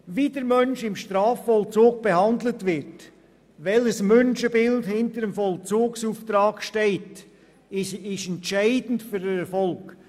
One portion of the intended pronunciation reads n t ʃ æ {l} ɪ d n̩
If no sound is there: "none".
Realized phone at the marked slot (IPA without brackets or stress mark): none